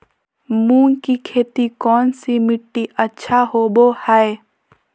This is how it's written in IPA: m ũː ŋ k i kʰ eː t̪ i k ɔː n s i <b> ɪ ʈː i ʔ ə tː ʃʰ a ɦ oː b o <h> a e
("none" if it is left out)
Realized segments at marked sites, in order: m, h

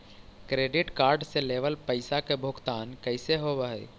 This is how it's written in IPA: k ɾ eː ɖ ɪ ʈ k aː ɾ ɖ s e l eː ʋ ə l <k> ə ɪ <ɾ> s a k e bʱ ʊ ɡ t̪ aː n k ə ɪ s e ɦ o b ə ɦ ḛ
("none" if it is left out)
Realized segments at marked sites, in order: p, none

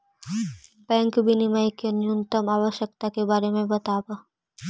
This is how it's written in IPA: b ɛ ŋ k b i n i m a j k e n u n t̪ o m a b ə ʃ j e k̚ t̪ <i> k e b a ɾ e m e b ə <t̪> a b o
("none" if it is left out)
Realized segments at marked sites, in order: a, t̪

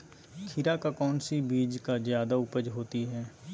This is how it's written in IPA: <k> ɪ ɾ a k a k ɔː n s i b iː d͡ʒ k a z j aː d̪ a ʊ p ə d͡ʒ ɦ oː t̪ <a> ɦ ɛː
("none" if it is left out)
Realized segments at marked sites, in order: kʰ, i

